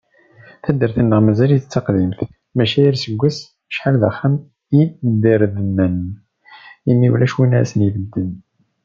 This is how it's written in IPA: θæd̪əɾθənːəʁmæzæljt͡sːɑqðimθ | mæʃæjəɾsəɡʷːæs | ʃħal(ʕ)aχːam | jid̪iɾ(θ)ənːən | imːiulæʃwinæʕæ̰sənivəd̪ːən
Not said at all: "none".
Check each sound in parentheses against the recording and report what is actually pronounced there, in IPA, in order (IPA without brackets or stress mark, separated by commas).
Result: ð, ð